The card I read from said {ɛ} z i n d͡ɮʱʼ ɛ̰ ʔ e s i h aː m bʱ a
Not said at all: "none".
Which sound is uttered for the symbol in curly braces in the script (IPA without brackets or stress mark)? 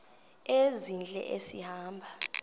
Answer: e